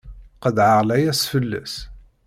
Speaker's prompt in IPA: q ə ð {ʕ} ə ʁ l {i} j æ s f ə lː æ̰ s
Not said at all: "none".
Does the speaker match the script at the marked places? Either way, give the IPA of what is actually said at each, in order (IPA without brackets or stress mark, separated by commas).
ʕ, æ